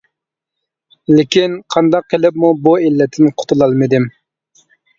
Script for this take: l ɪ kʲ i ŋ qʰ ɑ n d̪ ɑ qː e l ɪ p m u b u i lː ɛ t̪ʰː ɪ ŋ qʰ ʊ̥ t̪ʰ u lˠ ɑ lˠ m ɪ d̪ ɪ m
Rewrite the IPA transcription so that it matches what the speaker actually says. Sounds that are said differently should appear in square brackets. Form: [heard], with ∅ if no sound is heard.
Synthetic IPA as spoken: l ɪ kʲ i [n] qʰ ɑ n d̪ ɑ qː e l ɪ p m u b u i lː ɛ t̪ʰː ɪ [n] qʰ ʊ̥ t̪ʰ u lˠ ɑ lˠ m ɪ d̪ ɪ m

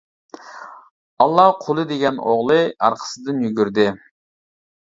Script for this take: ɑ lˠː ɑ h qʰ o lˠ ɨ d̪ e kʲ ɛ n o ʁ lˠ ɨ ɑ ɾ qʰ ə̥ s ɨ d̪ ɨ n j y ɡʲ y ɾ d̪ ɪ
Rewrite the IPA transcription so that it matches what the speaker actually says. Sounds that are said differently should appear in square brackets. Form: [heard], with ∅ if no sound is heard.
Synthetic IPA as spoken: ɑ lˠː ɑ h qʰ o lˠ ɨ d̪ e [ɡʲ] ɛ n o ʁ lˠ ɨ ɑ ɾ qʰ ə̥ s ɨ d̪ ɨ n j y ɡʲ y ɾ d̪ ɪ

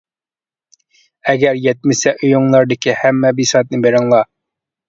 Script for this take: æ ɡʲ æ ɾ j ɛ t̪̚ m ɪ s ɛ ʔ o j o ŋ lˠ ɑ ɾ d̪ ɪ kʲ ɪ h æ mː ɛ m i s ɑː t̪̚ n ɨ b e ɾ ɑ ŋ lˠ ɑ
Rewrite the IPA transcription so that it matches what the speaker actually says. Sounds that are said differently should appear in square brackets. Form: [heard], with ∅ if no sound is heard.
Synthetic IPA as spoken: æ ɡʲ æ ɾ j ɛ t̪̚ m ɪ s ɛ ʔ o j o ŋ lˠ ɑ ɾ d̪ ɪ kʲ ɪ h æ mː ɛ [b] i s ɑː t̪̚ n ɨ b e ɾ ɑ ŋ lˠ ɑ

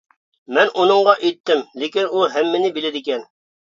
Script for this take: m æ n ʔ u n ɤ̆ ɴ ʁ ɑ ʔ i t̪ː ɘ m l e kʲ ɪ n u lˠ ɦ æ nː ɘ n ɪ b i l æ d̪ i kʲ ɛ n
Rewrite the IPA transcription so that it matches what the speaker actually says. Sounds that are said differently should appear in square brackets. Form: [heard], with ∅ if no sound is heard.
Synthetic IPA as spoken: m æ n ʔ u n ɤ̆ ɴ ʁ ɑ ʔ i t̪ː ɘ m l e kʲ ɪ n u lˠ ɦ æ [mː] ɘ n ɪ b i l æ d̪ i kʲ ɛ n

